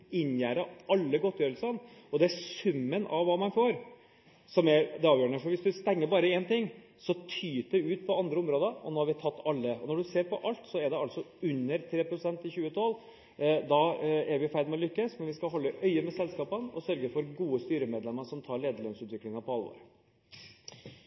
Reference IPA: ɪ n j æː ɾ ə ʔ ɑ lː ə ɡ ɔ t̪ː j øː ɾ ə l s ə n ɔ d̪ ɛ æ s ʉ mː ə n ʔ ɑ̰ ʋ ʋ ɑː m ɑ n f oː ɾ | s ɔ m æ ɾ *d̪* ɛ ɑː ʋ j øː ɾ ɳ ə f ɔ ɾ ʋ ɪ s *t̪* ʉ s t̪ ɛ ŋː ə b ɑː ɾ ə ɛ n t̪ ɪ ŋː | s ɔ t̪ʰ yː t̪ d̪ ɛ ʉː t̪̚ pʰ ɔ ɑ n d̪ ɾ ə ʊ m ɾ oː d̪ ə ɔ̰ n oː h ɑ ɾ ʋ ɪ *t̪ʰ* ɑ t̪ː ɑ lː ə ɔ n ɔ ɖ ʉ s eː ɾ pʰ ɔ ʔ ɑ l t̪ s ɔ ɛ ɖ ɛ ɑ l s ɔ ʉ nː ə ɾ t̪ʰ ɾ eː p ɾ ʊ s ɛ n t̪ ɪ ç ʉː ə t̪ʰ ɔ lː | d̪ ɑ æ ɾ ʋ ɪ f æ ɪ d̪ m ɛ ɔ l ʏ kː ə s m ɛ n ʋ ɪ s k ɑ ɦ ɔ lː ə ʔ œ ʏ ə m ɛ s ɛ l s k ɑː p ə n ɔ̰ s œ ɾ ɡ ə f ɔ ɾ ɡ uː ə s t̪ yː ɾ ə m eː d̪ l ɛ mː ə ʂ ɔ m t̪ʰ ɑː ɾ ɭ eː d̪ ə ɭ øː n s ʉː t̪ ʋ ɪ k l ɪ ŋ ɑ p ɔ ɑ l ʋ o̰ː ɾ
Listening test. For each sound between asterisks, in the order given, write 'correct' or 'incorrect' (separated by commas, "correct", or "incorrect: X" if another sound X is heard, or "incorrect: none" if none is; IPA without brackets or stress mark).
correct, incorrect: d̪, correct